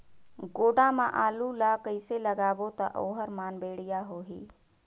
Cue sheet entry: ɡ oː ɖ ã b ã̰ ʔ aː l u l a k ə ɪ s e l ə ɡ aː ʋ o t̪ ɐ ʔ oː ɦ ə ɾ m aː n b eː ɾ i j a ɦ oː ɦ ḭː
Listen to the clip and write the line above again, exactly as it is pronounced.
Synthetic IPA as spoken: ɡ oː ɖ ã m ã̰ ʔ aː l u l a k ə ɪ s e l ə ɡ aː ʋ o t̪ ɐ ʔ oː ɦ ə ɾ m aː n b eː ɽ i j a ɦ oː ɦ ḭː